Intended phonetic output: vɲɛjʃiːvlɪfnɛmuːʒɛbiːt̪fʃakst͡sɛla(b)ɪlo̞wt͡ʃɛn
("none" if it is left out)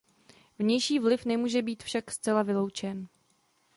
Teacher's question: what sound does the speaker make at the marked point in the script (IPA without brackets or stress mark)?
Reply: v